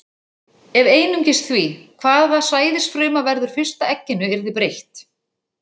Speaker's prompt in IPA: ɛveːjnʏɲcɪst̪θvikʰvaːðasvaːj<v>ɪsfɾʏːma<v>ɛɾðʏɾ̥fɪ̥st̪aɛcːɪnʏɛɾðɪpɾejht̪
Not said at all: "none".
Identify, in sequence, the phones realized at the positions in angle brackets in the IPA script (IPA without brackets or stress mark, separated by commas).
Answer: ð, v